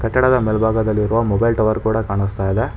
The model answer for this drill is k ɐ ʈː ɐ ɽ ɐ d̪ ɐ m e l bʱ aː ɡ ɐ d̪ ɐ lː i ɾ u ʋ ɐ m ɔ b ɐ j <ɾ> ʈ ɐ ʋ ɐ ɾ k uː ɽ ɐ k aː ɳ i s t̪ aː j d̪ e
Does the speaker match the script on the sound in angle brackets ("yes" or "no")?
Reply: no